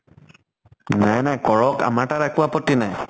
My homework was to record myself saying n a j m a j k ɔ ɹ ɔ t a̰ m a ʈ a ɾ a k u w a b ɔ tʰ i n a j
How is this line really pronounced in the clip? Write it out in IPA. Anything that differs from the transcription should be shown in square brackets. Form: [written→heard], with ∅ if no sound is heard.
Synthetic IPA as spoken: n a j [m→n] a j k ɔ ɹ ɔ [t→k] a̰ m a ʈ a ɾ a k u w a [b→p] ɔ [tʰ→t] i n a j